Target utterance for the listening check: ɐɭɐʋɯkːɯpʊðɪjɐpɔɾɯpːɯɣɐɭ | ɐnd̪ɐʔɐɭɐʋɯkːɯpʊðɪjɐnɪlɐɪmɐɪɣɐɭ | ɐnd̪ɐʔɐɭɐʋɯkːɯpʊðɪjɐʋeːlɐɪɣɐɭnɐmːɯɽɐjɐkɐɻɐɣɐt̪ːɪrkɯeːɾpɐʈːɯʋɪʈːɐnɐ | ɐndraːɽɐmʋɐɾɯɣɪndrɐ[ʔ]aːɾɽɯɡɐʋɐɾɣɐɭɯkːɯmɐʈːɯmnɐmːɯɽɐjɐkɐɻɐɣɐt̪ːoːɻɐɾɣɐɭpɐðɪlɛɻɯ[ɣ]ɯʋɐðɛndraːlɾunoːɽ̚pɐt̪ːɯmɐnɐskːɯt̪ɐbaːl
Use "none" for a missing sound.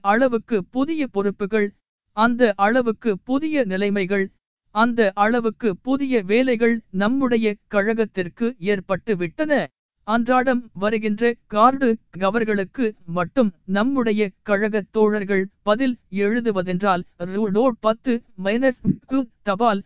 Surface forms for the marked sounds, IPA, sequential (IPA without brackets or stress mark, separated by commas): k, ð